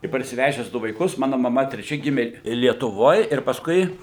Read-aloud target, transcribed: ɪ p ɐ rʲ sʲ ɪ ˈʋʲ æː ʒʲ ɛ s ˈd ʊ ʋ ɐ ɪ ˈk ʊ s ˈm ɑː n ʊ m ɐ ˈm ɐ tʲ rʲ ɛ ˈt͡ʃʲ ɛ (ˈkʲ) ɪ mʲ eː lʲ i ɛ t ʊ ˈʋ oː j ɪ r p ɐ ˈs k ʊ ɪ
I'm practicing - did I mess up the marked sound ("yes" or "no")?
yes